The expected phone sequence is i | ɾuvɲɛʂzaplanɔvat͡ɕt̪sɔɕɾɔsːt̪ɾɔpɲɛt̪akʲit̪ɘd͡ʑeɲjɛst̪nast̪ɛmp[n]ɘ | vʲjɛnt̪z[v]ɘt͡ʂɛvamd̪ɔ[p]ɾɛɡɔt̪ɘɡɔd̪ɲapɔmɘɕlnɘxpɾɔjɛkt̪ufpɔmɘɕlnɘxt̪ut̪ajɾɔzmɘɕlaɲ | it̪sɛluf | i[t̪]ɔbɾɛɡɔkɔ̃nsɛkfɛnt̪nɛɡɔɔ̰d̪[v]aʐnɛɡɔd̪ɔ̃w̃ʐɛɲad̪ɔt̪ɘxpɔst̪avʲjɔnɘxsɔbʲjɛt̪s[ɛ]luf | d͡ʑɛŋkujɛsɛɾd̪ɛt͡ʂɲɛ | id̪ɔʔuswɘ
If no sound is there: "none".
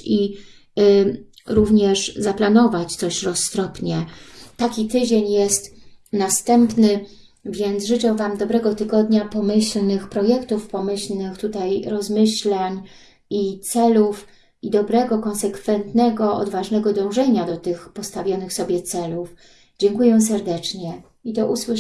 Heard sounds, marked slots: n, ʐ, b, d̪, v, ɛ

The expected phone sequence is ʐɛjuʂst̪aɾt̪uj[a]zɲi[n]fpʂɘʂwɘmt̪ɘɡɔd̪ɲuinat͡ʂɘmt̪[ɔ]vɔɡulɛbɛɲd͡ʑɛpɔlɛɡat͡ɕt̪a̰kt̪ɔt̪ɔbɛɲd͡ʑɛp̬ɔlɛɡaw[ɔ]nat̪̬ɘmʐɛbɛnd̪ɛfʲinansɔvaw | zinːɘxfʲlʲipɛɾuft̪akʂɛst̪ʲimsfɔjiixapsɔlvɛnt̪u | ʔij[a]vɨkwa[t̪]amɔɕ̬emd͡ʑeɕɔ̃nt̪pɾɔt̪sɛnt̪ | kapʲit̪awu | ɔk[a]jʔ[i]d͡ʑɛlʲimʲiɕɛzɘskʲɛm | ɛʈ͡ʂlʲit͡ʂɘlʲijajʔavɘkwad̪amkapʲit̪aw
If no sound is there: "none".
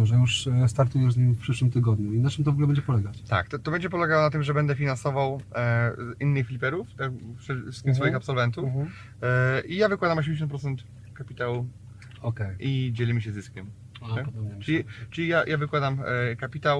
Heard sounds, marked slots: ɛ, m, ɔ, ɔ, a, d̪, ɛ, i

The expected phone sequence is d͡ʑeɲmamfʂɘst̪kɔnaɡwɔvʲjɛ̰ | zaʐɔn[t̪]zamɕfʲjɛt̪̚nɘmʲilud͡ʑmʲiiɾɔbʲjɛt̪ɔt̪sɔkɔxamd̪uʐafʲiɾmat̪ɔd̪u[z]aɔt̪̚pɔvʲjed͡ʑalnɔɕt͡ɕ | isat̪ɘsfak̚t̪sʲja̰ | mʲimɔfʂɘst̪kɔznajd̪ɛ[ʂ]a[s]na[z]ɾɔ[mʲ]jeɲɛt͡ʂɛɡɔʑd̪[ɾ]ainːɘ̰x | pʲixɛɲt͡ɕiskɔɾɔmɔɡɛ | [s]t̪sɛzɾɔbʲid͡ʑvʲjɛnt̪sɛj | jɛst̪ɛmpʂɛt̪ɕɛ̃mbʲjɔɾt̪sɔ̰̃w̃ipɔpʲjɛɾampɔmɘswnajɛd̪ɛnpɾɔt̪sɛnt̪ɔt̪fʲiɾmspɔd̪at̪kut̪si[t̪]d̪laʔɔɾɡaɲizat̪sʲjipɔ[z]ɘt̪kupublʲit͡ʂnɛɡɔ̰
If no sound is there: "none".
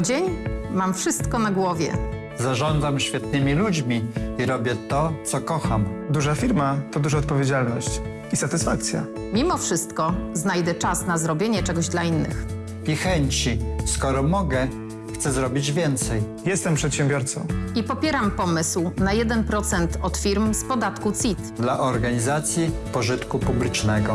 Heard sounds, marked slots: d̪, ʐ, t͡ʂ, s, z, bʲ, l, x, t̪, ʐ

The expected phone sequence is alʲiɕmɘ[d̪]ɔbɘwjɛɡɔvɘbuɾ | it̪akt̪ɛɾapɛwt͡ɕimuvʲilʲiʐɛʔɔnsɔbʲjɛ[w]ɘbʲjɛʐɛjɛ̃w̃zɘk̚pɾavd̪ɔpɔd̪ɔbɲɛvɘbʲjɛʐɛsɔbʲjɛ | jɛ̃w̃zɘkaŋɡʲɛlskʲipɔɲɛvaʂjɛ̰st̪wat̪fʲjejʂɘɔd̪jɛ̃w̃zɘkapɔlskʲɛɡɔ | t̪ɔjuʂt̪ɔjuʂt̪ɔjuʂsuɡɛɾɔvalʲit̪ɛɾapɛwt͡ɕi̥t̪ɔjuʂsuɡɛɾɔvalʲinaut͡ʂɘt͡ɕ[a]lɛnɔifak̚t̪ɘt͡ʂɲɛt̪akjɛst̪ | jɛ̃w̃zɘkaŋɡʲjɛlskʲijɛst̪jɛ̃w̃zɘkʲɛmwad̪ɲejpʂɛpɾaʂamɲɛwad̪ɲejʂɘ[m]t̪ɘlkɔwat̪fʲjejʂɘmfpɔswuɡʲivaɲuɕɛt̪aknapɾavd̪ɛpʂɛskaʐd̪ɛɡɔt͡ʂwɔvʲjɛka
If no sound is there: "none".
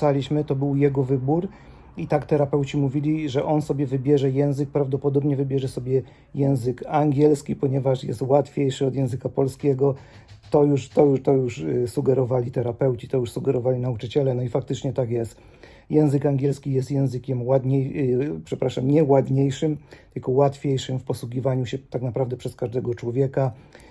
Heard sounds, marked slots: t̪, v, ɛ, m

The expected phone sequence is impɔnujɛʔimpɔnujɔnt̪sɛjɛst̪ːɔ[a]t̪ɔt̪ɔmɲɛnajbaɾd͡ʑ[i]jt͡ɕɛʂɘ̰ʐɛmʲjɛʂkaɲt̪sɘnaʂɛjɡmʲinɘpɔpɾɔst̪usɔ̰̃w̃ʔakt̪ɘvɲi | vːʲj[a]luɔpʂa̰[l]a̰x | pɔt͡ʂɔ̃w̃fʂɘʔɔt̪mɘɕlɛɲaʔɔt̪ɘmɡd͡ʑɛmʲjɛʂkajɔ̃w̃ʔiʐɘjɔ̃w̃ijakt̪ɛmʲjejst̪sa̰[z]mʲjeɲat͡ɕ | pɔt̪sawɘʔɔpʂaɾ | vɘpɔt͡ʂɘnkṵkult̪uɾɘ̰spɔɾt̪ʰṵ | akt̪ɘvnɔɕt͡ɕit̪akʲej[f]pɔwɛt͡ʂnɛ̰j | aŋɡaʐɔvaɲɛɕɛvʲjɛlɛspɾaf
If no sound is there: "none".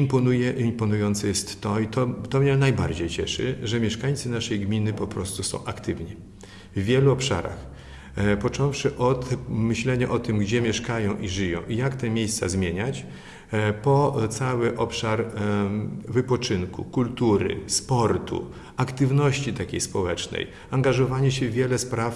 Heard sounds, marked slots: i, e, ɛ, ɾ, z, s

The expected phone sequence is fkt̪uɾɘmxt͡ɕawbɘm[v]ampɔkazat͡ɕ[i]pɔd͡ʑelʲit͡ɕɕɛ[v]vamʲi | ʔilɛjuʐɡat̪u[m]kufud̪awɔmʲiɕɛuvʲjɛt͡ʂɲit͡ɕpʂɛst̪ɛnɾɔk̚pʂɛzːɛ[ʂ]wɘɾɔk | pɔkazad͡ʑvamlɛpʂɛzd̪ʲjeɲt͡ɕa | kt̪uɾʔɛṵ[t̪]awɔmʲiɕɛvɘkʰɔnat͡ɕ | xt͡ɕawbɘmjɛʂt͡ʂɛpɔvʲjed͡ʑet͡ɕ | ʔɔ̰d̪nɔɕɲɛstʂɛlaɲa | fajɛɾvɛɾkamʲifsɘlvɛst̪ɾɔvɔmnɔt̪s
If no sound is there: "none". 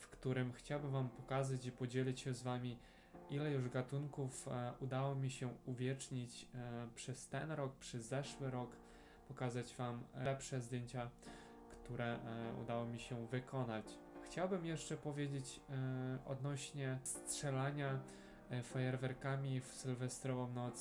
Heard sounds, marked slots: v, i, z, ŋ, ʂ, d̪

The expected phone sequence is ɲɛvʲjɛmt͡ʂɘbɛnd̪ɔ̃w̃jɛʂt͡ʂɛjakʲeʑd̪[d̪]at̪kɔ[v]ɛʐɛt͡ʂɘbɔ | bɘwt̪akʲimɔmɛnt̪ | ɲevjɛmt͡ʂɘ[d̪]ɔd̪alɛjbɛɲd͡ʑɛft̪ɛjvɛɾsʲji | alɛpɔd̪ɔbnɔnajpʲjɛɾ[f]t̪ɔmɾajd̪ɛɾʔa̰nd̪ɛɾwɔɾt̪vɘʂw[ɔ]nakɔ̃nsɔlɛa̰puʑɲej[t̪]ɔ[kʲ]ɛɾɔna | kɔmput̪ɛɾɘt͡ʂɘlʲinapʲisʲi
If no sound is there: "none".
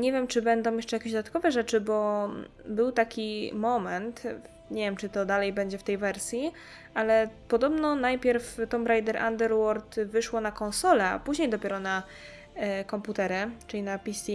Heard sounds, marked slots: d̪, v, t̪, f, ɔ, d̪, pʲ

